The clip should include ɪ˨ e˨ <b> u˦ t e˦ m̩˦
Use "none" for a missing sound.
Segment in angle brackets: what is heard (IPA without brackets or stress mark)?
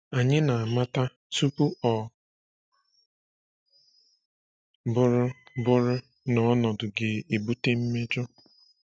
b